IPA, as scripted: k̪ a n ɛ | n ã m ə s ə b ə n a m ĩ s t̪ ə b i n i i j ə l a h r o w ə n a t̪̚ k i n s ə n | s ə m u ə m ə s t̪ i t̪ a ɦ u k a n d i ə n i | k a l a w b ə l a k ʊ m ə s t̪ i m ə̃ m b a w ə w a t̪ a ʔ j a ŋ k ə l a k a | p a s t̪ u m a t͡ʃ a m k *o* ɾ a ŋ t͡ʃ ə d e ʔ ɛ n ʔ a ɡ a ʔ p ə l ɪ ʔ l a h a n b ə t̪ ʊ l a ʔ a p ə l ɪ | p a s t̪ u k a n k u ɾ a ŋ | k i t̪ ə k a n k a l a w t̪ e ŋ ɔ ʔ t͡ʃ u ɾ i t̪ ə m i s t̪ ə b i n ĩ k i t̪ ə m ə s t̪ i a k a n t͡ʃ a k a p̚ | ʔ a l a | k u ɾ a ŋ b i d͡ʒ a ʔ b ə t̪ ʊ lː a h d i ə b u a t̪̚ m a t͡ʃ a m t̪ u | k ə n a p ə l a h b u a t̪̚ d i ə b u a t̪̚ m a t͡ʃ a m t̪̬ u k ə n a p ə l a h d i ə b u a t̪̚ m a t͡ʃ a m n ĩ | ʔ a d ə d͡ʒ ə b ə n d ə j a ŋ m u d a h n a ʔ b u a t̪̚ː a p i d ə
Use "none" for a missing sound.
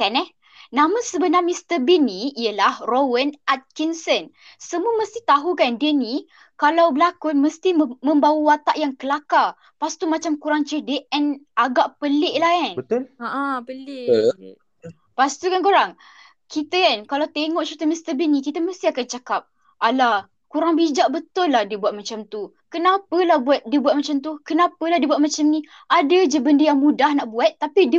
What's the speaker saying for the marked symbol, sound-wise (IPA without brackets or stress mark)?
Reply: u